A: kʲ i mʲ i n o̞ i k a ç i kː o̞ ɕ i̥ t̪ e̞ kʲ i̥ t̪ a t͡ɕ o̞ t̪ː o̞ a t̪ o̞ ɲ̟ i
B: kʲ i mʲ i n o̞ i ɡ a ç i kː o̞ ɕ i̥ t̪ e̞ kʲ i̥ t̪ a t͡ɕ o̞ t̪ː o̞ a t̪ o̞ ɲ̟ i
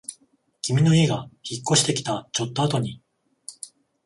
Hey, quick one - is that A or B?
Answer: B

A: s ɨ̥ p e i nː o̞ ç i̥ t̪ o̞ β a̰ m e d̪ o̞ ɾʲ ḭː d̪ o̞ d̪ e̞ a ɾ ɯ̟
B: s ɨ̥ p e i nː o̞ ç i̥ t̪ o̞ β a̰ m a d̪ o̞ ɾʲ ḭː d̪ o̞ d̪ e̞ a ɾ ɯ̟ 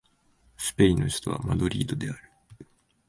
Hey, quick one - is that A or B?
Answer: B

